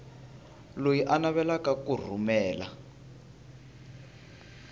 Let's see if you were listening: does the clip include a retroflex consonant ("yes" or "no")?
no